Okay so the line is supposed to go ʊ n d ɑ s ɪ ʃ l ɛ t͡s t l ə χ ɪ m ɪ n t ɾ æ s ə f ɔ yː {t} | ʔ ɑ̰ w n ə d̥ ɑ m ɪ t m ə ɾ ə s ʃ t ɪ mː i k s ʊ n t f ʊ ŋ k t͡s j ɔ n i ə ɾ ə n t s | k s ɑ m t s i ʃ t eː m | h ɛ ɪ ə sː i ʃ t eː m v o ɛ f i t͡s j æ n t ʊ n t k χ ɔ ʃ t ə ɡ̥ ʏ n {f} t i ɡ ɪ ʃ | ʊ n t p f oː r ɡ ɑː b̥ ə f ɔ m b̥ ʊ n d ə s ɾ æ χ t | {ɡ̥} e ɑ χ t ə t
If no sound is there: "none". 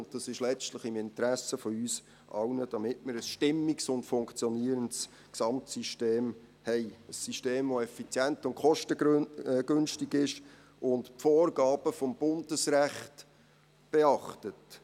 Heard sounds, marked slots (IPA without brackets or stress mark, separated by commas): s, ʃ, b̥